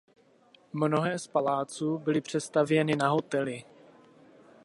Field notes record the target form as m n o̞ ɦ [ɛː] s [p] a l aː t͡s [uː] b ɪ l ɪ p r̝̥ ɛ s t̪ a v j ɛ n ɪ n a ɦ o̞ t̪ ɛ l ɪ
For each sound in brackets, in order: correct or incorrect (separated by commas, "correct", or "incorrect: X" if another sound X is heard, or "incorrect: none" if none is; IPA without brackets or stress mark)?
correct, correct, correct